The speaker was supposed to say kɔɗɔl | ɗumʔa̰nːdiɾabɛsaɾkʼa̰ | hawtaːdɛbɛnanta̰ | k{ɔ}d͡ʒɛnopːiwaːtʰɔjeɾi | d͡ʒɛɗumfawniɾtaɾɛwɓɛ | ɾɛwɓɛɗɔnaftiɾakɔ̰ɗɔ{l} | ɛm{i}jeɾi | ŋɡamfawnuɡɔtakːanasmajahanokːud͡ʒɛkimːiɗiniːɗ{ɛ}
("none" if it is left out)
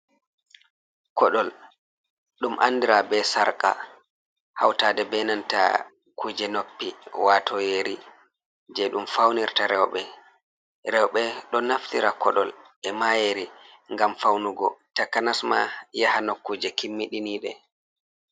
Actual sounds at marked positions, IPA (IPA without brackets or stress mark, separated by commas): u, l, a, ɛ